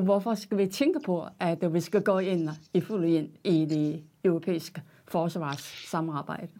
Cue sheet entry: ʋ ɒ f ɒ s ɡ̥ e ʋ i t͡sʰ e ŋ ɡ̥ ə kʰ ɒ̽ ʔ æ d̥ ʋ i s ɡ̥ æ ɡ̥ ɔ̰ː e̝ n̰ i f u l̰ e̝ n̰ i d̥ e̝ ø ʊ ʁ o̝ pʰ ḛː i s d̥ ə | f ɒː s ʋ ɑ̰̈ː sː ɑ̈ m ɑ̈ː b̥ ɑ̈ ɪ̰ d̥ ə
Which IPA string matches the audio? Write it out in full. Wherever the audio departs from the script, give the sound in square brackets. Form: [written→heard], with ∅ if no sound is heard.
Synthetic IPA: ʋ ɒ f ɒ s ɡ̥ [e→æ] ʋ i t͡sʰ e ŋ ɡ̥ ə [kʰ→pʰ] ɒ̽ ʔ æ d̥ ʋ i s ɡ̥ æ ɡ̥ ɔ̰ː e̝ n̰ i f u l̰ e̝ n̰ i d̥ e̝ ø ʊ ʁ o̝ pʰ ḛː i s [d̥→ɡ̥] ə | f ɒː s ʋ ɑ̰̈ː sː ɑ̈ m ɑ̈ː b̥ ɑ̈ ɪ̰ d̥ ə